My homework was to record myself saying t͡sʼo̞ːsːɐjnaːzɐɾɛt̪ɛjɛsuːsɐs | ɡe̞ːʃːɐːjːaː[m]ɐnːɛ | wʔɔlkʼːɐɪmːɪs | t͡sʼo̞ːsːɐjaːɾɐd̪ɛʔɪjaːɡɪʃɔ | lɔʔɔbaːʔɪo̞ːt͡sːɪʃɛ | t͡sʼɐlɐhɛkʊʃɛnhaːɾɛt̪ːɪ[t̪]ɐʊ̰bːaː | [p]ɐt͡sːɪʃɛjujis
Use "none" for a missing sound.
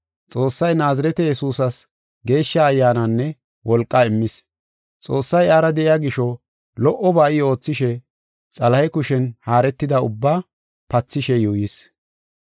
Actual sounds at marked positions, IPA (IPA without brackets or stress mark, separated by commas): n, d̪, p